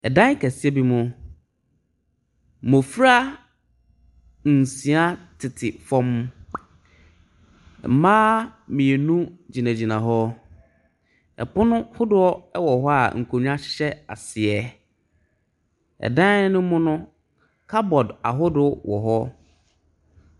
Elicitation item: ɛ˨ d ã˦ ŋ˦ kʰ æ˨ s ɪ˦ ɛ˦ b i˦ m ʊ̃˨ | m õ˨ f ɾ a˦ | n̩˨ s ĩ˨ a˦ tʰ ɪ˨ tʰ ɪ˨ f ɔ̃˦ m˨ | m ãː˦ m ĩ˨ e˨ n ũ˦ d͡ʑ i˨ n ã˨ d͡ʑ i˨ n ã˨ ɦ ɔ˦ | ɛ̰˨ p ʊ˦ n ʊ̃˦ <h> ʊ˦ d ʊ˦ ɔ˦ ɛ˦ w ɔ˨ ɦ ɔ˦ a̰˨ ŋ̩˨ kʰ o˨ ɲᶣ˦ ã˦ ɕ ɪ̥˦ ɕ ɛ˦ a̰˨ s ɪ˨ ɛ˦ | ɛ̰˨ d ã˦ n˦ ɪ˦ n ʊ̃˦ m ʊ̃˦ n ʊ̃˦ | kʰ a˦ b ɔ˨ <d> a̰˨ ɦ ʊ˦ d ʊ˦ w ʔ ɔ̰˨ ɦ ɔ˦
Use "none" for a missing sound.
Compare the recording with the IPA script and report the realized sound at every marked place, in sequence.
h, d

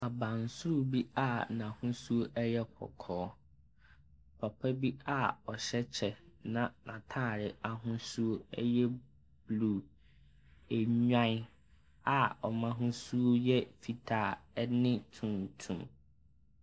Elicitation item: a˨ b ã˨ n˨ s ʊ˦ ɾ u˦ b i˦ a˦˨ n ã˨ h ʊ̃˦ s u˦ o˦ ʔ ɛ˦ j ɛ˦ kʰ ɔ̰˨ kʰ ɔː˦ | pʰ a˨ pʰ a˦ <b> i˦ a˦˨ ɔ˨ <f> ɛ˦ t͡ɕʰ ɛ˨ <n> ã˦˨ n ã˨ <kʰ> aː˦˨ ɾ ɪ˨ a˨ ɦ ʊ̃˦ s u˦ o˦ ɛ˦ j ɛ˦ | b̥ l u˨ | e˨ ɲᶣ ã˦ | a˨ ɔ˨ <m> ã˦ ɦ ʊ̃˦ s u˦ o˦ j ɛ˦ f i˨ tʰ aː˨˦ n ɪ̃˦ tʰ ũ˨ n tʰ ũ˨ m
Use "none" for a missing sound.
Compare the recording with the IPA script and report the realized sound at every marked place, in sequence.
b, ɕ, n, tʰ, m

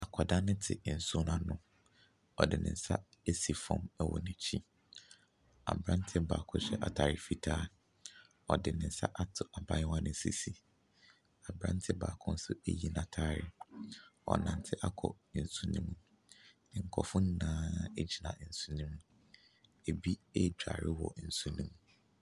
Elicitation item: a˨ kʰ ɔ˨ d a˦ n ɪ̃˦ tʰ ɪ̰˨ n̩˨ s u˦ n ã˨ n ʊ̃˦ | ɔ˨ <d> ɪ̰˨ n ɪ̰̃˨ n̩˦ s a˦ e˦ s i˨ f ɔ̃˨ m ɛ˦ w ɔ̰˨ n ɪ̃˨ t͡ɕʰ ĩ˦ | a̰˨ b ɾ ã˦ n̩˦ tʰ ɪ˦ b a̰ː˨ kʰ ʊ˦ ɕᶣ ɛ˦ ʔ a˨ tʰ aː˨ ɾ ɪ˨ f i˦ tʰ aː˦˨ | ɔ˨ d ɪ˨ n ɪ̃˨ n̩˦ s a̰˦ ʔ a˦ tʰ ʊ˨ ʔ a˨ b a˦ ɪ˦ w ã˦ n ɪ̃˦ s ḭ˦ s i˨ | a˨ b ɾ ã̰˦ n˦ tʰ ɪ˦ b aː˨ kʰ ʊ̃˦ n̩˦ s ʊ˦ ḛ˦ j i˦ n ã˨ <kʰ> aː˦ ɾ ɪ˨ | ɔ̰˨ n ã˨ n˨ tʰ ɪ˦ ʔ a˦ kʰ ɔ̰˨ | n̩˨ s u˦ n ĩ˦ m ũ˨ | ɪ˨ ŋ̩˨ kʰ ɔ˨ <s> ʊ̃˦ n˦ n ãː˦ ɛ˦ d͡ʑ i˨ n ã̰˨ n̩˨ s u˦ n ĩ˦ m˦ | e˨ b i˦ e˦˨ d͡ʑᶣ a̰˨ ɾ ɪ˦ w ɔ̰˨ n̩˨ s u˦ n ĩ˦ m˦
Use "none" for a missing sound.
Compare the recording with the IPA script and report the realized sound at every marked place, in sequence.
d, tʰ, f

